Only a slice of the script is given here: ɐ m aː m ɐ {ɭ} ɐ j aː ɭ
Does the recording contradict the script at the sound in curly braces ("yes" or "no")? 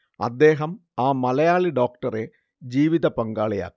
yes